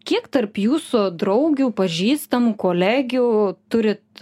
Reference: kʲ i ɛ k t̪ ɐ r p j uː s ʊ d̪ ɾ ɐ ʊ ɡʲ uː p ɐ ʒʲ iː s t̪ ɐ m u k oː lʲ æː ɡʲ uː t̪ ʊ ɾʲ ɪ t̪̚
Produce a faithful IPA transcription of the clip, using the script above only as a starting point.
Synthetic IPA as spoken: kʲ i ɛ k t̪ ɐ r p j uː s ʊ d̪ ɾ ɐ ʊ ɡʲ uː p ɐ ʒʲ iː s t̪ ɐ m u k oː lʲ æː ɡʲ uː t̪ ʊ ɾʲ ɪ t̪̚